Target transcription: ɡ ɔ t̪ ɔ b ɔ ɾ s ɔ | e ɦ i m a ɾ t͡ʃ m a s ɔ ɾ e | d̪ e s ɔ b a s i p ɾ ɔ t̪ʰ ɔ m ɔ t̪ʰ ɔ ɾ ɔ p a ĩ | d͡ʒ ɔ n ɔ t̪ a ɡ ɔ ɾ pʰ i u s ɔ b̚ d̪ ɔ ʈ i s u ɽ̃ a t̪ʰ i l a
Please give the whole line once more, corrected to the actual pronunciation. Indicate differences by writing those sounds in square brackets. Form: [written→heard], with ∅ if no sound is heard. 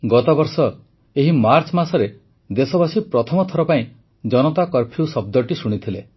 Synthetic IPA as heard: ɡ ɔ t̪ ɔ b ɔ ɾ s ɔ | e ɦ i m a ɾ t͡ʃ m a s ɔ ɾ e | d̪ e s ɔ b a s i p ɾ ɔ t̪ʰ ɔ m ɔ t̪ʰ ɔ ɾ ɔ p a ĩ | d͡ʒ ɔ n ɔ t̪ a [ɡ→k] ɔ ɾ pʰ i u s ɔ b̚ d̪ ɔ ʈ i s u ɽ̃ [a→i] t̪ʰ i l [a→e]

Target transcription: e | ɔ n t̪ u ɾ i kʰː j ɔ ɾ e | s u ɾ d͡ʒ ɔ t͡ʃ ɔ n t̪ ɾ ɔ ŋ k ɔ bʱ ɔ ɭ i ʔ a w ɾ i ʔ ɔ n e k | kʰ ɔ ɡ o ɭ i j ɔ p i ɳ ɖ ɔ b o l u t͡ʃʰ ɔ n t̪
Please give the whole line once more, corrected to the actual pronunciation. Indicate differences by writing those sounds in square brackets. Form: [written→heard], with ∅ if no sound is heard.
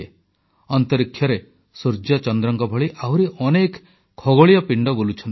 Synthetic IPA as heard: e | ɔ n t̪ [u→ɔ] ɾ i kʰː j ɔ ɾ e | s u ɾ d͡ʒ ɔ t͡ʃ ɔ n [t̪→d̪] ɾ ɔ ŋ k ɔ bʱ ɔ ɭ i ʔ a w ɾ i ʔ ɔ n e k | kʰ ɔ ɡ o ɭ i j ɔ p i ɳ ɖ ɔ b o l u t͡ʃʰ ɔ n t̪

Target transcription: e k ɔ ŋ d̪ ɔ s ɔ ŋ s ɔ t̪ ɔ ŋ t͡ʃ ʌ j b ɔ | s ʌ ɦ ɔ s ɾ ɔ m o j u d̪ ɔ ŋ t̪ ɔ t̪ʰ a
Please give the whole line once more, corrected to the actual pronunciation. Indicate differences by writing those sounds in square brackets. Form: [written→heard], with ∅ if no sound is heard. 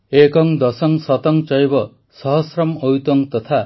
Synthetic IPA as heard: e k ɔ ŋ d̪ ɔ s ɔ ŋ s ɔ t̪ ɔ ŋ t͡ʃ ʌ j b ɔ | s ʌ ɦ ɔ s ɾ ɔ m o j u [d̪→t̪] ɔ ŋ t̪ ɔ t̪ʰ a

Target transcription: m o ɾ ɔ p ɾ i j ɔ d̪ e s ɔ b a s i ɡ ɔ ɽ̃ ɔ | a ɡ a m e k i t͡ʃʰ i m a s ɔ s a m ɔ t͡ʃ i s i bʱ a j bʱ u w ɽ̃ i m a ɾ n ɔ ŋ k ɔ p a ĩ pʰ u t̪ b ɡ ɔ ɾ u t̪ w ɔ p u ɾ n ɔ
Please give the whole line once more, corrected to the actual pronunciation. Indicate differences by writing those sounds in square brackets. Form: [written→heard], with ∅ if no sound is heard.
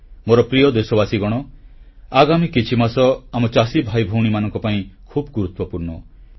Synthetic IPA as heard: m o ɾ ɔ p ɾ i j ɔ d̪ e s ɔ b a s i ɡ ɔ ɽ̃ ɔ | a ɡ a m [e→i] k i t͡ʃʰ i m a s ɔ [s→∅] a m ɔ t͡ʃ [i→a] s i bʱ a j bʱ u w ɽ̃ i m a [ɾ→∅] n ɔ ŋ k ɔ p a ĩ [pʰ→kʰ] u [t̪→∅] b ɡ [ɔ→u] ɾ u t̪ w ɔ p u ɾ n ɔ

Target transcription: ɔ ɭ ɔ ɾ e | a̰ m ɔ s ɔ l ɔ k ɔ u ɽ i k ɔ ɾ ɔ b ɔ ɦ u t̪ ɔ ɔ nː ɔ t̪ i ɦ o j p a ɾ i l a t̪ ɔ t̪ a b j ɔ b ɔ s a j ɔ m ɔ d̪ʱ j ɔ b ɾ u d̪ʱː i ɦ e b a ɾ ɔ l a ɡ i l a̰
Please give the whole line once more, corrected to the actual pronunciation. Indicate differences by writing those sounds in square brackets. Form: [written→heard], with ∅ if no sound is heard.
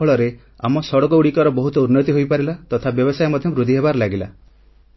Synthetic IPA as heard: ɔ ɭ ɔ ɾ e | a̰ m ɔ s ɔ [l→ɽ] ɔ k ɔ u ɽ i k ɔ ɾ ɔ b ɔ ɦ u t̪ ɔ [ɔ→u] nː ɔ t̪ i ɦ o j p a ɾ i l a t̪ ɔ [t̪→t̪ʰ] a b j ɔ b ɔ s a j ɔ m ɔ d̪ʱ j ɔ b ɾ u [d̪ʱː→d̪ʱ] i ɦ e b a ɾ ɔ l a ɡ i l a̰

